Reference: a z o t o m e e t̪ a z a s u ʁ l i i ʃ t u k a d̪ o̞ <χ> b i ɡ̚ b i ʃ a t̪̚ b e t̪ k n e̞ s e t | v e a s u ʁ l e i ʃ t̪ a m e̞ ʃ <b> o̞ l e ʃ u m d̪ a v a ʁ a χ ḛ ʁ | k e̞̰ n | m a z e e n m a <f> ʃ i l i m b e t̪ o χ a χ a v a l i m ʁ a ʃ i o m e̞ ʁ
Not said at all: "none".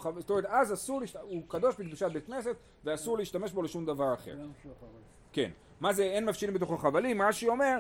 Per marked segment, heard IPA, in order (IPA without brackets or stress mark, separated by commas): ʃ, b, f